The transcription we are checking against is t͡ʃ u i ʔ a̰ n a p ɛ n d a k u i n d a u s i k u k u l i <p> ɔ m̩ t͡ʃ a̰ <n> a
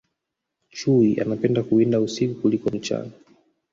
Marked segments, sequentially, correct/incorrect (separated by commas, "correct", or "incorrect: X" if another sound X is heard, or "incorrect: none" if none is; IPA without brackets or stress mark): incorrect: k, correct